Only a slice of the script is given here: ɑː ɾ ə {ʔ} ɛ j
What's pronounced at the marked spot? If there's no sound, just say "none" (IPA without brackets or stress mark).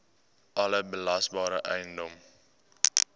ʔ